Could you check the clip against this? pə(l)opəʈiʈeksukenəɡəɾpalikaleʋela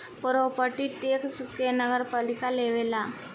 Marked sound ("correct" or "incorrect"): incorrect